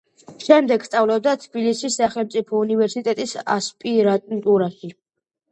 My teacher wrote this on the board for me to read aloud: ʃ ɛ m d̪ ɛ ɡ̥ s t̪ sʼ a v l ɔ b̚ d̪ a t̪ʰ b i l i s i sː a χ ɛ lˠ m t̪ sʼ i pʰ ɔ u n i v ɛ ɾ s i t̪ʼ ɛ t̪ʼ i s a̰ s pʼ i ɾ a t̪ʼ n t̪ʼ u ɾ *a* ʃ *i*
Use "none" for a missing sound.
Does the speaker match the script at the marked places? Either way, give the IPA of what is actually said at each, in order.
a, i

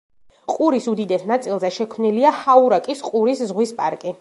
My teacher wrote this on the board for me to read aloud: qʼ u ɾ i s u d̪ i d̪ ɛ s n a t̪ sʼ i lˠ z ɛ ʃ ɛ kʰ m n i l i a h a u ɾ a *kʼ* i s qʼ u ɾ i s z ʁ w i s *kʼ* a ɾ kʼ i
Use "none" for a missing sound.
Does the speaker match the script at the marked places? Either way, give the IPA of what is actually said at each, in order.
kʼ, pʼ

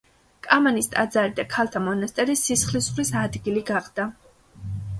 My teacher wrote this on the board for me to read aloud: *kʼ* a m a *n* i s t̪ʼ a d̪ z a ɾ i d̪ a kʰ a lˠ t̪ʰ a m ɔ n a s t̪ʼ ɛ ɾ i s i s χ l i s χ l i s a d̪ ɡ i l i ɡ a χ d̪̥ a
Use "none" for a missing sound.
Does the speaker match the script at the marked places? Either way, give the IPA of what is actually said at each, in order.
kʼ, n

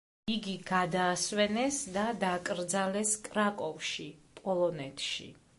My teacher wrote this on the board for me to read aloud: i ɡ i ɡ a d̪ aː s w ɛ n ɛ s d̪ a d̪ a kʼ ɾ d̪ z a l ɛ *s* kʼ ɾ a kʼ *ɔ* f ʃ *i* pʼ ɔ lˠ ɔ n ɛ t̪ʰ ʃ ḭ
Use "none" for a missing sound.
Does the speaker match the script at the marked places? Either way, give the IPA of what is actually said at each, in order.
s, ɔ, i

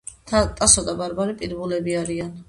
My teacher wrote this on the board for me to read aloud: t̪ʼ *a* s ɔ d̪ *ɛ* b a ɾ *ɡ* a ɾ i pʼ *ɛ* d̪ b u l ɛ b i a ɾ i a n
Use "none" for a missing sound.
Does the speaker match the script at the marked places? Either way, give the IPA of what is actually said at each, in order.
a, a, b, i

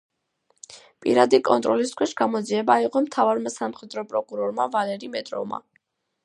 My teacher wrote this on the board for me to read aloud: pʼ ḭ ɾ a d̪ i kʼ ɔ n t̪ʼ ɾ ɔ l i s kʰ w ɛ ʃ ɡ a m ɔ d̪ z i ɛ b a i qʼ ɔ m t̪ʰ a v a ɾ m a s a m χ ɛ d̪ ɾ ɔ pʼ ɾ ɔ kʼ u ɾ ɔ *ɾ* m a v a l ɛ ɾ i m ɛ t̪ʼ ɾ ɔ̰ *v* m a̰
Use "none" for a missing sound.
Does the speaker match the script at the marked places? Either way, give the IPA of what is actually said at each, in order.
ɾ, v

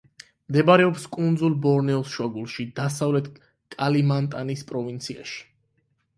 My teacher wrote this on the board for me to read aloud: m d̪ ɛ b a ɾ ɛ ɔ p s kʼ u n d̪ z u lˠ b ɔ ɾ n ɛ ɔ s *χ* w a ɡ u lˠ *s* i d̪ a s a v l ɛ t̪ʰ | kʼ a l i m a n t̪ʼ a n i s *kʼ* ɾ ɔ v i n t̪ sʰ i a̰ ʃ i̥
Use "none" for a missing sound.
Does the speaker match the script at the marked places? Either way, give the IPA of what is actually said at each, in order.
ʃ, ʃ, pʼ

